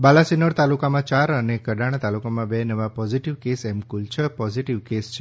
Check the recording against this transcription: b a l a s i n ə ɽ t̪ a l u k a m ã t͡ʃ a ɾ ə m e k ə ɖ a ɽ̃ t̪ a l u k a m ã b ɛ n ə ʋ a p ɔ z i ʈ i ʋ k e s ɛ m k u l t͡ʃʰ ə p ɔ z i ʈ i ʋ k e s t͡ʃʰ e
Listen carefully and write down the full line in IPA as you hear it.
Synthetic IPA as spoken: b a l a s i n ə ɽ t̪ a l u k a m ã t͡ʃ a ɾ ə n e k ə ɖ a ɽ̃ t̪ a l u k a m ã b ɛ n ə ʋ a p ɔ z i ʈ i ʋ k e s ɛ m k u l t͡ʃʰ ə p ɔ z i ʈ i ʋ k e s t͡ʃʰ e

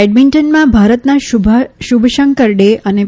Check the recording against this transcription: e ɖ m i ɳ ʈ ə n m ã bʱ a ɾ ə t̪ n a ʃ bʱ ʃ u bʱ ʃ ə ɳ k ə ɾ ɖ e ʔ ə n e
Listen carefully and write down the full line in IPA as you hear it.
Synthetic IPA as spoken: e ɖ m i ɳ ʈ ə n m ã bʱ a ɾ ə t̪ n a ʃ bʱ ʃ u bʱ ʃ ə ŋ k ə ɾ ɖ e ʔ ə n e

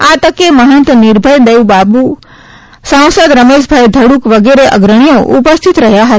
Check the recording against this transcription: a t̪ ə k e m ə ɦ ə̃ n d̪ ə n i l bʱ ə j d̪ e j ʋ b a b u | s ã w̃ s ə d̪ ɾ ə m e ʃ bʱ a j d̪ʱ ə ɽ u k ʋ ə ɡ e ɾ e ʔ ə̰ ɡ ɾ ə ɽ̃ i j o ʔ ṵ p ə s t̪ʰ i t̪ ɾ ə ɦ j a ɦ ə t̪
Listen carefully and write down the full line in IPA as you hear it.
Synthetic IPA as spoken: a t̪ ə k e m ə ɦ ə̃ n t̪ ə n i ɾ bʱ ə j d̪ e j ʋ b a b u | s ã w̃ s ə d̪ ɾ ə m e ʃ bʱ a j d̪ʱ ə ɽ u k ʋ ə ɡ e ɾ e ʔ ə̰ ɡ ɾ ə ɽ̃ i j o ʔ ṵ p ə s t̪ʰ i t̪ ɾ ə ɦ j a ɦ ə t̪

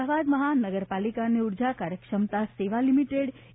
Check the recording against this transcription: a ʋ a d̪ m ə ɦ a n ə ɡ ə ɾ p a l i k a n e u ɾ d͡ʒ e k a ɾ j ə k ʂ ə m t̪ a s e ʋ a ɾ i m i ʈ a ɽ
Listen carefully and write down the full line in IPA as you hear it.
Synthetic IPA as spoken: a ʋ a d̪ m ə ɦ a n ə ɡ ə ɾ p a l i k a n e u ɾ d͡ʒ a k a ɾ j ə k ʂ ə m t̪ a s e ʋ a l i m i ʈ e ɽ

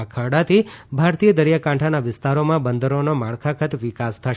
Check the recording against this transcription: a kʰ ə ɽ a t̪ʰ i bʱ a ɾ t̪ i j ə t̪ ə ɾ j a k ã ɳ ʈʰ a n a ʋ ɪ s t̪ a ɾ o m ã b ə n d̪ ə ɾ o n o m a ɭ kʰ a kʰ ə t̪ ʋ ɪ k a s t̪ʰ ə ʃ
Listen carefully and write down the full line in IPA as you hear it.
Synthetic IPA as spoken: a kʰ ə ɽ a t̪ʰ i bʱ a ɾ t̪ i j ə d̪ ə ɾ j a k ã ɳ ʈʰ a n a ʋ ɪ s t̪ a ɾ o m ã b ə n d̪ ə ɾ o n o m a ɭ kʰ a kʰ ə t̪ ʋ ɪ k a s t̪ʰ ə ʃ

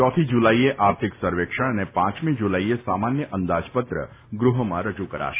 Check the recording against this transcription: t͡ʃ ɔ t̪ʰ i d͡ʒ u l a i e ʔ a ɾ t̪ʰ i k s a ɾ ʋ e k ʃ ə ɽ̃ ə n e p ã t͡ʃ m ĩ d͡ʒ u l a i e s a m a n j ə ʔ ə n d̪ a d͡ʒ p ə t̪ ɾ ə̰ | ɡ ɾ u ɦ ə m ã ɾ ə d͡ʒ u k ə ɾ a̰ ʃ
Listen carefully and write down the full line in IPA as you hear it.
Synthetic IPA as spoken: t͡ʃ ɔ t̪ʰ i d͡ʒ u l a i e ʔ a ɾ t̪ʰ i k s ə ɾ ʋ e k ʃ ə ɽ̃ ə n e p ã t͡ʃ m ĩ d͡ʒ u l a i e s a m a n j ə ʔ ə n d̪ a d͡ʒ p ə t̪ ɾ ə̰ | ɡ ɾ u ɦ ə m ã ɾ ə d͡ʒ u k ə ɾ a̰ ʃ

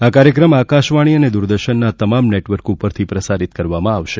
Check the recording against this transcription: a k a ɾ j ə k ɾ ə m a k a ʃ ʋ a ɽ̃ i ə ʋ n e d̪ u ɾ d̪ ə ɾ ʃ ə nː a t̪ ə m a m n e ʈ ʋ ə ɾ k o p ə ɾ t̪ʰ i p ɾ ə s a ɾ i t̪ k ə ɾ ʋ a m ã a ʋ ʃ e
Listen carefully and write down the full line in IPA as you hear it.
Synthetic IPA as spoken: a k a ɾ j ə k ɾ ə m a k a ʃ ʋ a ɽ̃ i ə n e d̪ u ɾ d̪ ə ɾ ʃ ə nː a t̪ ə m a m n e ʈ ʋ ə ɾ k u p ə ɾ t̪ʰ i p ɾ ə s a ɾ i t̪ k ə ɾ ʋ a m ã a ʋ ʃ e

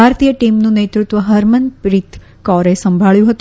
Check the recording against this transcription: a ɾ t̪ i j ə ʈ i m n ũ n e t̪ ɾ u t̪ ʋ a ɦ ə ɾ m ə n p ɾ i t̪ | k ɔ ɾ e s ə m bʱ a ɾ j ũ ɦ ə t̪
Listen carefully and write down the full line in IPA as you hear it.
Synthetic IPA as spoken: a ɾ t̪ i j ə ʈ i m n ũ n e t̪ ɾ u t̪ ʋ ə ɦ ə ɾ m ə n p ɾ i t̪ | k ɔ ɾ e s ə m bʱ a ɭ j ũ ɦ ə t̪

